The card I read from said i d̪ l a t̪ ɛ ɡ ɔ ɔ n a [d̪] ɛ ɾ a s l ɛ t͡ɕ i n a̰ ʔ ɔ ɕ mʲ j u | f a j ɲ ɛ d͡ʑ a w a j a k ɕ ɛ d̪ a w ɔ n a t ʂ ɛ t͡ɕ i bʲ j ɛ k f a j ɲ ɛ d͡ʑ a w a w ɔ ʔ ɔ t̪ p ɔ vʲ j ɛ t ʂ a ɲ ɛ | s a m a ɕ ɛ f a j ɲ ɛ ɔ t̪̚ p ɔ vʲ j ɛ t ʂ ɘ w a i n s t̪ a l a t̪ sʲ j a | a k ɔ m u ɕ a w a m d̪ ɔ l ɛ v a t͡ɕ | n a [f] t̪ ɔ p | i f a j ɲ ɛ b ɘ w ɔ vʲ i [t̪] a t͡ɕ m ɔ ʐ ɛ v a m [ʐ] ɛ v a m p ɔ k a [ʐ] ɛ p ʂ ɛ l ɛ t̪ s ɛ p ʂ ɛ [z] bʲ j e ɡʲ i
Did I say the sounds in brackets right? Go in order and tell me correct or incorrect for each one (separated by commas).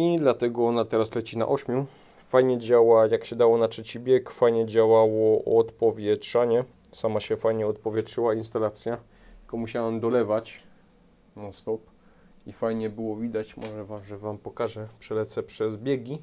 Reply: incorrect, incorrect, incorrect, correct, correct, correct